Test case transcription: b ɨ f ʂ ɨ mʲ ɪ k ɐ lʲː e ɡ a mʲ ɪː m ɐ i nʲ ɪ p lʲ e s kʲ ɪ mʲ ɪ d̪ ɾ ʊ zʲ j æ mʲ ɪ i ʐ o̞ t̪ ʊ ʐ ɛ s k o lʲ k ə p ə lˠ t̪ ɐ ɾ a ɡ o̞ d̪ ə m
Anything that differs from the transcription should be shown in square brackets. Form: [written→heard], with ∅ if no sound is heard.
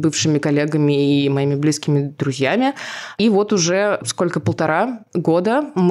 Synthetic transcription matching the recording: b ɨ f ʂ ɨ mʲ ɪ k ɐ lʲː e ɡ [a→ə] mʲ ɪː m ɐ i [nʲ→mʲ] ɪ [p→b] lʲ [e→i] s kʲ ɪ mʲ ɪ d̪ ɾ ʊ zʲ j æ mʲ ɪ i [ʐ→v] o̞ t̪ ʊ ʐ ɛ s k o lʲ k ə p ə lˠ t̪ ɐ ɾ a ɡ o̞ d̪ ə m